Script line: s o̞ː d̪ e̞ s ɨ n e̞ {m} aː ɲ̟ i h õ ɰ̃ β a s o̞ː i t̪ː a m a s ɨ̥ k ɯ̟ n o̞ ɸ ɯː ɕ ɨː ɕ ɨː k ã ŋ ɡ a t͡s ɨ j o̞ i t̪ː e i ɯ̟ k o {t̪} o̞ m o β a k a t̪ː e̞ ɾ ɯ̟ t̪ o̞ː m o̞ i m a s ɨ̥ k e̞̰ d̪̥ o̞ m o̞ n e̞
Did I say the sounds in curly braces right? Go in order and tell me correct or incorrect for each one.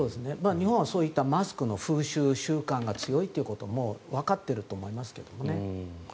correct, correct

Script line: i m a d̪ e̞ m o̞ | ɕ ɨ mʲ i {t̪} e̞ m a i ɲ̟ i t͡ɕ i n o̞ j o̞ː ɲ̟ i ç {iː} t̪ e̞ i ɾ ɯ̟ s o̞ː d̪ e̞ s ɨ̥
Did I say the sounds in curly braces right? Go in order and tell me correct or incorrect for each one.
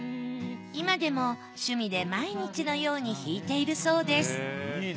incorrect, correct

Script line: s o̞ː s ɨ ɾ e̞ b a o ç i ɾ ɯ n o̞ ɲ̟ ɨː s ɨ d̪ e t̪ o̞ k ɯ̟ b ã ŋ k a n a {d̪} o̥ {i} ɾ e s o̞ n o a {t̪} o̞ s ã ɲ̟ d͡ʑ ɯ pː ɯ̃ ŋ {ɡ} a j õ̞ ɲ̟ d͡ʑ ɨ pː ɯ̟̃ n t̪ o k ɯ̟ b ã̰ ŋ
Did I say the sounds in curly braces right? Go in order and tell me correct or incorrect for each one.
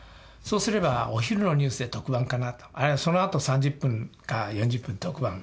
incorrect, incorrect, correct, incorrect

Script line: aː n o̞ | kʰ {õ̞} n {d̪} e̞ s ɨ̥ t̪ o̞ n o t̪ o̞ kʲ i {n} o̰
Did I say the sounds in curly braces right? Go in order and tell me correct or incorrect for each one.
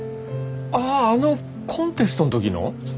correct, incorrect, correct

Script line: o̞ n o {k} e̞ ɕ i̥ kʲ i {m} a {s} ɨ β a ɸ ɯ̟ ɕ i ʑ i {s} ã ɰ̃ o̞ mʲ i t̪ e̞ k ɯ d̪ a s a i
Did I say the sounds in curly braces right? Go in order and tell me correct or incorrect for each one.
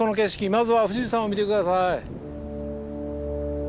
correct, correct, incorrect, correct

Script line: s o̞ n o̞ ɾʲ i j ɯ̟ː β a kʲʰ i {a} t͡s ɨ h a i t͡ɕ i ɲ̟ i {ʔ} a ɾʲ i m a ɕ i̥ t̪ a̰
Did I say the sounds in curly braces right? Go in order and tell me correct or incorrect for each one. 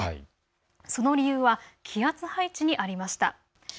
correct, correct

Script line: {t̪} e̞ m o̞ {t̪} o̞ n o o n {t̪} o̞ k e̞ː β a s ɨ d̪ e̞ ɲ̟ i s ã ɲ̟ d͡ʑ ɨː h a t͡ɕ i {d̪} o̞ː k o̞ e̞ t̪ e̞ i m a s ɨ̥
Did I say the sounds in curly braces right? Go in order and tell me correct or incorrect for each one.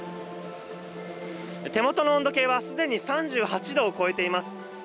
correct, correct, incorrect, correct

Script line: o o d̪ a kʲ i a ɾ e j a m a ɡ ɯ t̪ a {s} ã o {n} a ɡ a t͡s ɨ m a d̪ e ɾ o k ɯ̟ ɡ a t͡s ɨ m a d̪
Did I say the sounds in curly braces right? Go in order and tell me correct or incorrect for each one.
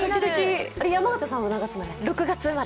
correct, correct

